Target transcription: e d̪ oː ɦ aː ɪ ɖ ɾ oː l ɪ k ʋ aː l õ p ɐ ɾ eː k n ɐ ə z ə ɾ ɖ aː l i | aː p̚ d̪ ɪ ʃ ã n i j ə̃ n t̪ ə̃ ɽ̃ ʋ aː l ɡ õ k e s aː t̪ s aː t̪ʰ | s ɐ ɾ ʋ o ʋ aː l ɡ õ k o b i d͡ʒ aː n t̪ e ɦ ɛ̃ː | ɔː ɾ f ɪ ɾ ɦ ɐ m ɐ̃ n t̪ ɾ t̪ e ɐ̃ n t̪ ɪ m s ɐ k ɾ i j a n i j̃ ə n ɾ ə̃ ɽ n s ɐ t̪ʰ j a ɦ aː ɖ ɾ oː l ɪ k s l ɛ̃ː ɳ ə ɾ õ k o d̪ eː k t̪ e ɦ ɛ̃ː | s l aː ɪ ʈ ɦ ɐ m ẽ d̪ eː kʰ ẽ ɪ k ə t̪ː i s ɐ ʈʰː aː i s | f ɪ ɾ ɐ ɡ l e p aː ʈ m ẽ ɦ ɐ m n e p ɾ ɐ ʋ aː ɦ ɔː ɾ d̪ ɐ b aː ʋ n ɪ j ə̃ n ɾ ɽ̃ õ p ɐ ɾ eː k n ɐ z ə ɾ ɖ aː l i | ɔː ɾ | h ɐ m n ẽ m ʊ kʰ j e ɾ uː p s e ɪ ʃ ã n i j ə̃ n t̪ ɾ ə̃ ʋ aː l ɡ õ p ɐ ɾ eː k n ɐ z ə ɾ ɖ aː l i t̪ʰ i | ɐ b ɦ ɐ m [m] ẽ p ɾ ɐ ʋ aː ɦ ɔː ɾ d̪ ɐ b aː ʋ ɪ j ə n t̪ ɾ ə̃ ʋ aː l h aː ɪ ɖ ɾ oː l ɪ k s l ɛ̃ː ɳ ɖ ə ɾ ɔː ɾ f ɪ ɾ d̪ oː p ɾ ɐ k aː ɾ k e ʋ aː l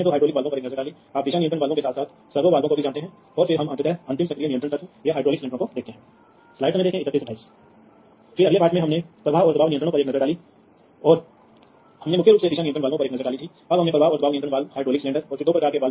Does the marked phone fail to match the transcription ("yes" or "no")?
yes